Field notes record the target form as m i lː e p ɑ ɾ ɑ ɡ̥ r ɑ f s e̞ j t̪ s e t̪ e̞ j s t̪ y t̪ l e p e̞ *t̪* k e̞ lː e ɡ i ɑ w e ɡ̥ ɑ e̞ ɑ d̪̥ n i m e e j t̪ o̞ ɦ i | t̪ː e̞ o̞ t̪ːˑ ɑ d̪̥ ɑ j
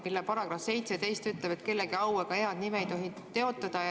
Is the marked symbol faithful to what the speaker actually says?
yes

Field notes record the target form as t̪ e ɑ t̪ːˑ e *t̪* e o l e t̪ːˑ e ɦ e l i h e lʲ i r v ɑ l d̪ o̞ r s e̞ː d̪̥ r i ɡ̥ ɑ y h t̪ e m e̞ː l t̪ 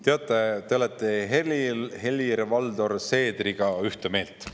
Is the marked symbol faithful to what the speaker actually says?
yes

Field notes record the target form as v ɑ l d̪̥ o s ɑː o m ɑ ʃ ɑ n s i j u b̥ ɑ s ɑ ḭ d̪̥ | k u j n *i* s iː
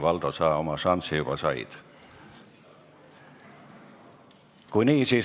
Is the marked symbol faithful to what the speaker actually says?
no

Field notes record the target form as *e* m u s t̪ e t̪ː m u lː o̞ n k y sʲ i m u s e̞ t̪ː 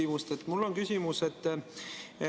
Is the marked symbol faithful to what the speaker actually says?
no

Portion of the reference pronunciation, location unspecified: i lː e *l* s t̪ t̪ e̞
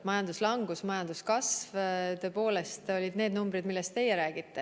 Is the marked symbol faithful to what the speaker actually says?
no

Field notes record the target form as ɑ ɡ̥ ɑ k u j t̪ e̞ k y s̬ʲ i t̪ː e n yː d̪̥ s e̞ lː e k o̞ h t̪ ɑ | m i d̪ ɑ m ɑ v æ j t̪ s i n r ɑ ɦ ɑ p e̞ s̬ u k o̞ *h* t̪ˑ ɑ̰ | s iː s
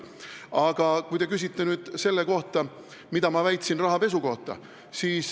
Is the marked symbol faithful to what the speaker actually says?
yes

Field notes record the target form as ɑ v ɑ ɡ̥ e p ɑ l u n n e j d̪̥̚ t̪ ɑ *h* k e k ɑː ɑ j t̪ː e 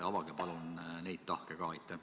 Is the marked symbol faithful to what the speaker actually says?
yes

